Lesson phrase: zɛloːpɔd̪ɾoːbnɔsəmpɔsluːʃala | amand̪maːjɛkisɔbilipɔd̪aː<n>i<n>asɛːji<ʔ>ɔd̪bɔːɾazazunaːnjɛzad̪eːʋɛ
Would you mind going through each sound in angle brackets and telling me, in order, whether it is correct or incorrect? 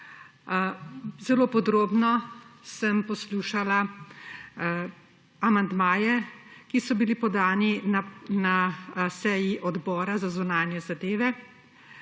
correct, correct, correct

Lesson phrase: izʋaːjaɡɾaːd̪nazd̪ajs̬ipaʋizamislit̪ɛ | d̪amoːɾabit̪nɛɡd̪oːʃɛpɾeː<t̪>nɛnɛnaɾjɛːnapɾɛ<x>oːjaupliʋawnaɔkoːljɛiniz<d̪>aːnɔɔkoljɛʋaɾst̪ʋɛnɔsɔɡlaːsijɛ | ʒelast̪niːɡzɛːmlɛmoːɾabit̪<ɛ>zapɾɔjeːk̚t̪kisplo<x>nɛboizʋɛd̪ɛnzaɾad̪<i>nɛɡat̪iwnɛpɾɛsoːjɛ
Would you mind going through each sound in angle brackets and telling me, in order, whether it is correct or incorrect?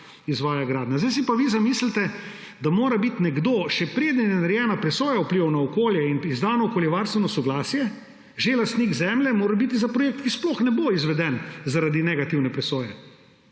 incorrect: d̪, incorrect: s, correct, incorrect: i, correct, correct

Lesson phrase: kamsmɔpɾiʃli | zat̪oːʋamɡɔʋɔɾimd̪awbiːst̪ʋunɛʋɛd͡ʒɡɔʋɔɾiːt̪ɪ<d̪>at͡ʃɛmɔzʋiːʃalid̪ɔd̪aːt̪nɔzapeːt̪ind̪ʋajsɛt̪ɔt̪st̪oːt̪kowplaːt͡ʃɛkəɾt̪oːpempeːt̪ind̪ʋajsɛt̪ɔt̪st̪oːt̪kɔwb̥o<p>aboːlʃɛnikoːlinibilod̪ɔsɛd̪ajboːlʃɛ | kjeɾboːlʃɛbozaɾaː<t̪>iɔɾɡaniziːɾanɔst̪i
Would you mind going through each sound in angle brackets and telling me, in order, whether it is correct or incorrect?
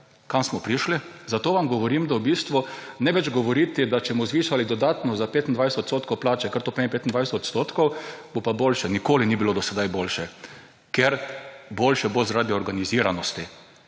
correct, correct, incorrect: d̪

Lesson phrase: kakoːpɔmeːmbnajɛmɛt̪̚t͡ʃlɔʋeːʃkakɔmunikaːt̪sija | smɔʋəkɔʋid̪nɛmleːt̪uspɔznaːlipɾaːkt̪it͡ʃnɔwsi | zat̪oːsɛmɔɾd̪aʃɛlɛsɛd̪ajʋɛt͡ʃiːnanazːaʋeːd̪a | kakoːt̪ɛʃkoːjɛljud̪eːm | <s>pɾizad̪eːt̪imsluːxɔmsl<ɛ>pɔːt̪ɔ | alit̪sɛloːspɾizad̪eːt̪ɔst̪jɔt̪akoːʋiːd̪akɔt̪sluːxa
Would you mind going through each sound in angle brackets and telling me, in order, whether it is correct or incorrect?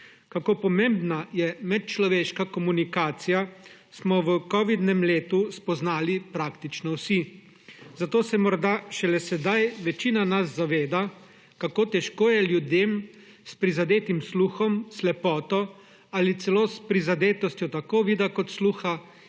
correct, correct

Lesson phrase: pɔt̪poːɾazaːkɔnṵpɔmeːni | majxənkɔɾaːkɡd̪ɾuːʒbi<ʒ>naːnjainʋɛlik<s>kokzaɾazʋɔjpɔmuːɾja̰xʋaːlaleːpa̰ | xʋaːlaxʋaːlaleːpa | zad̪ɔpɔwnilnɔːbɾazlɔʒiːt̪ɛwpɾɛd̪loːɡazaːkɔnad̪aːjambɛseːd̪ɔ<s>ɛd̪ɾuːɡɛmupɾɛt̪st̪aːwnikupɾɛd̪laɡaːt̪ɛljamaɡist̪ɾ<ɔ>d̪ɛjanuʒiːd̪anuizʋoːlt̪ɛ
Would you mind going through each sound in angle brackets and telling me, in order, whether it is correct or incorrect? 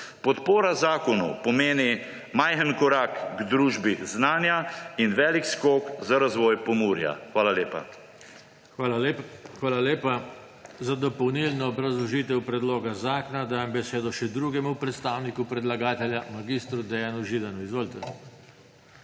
incorrect: z, correct, incorrect: ʃ, incorrect: u

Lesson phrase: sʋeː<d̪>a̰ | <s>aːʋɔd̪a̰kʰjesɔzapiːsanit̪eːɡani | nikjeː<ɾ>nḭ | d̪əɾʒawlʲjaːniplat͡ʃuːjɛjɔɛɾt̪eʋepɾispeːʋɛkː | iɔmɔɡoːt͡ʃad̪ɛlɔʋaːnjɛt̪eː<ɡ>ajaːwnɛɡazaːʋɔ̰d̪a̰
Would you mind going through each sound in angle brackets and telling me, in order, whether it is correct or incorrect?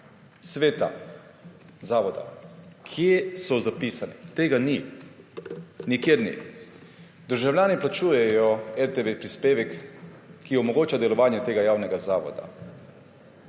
incorrect: t̪, incorrect: z, correct, correct

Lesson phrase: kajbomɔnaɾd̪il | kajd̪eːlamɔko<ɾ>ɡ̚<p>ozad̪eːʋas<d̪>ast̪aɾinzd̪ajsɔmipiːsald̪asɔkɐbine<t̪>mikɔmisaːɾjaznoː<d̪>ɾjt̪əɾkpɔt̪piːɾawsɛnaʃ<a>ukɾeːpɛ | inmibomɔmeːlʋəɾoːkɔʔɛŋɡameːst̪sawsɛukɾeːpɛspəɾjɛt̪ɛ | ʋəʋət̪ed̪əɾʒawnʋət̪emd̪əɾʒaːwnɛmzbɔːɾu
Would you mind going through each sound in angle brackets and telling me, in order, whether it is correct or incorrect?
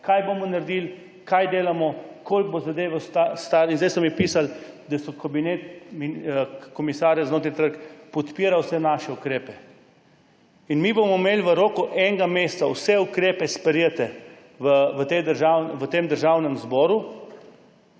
incorrect: l, incorrect: b, incorrect: t̪, correct, incorrect: t̪, incorrect: ɛ

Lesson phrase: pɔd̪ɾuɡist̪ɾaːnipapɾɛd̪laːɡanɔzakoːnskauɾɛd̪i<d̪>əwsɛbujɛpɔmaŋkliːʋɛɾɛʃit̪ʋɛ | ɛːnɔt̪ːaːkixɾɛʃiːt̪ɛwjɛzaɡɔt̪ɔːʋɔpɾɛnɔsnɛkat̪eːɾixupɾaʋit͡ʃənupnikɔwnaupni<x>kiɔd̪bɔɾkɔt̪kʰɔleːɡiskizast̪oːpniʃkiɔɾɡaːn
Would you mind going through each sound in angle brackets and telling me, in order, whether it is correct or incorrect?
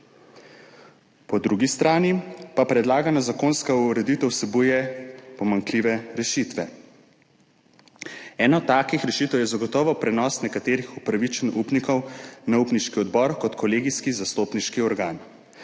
incorrect: t̪, incorrect: ʃ

